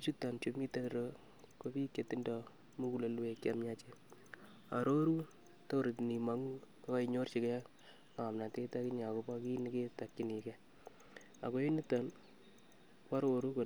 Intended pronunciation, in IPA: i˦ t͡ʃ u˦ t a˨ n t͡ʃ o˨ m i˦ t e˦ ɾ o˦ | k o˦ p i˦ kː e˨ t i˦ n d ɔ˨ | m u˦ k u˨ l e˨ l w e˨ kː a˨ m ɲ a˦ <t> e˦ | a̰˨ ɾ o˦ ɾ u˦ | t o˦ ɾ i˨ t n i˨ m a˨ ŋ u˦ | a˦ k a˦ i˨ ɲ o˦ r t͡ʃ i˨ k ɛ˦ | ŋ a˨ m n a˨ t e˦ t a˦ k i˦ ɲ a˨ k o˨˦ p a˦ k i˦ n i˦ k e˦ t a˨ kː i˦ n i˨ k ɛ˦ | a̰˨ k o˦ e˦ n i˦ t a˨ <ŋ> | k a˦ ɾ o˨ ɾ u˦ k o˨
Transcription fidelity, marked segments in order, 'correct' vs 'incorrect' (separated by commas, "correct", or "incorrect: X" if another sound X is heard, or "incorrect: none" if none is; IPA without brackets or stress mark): incorrect: t͡ʃ, incorrect: n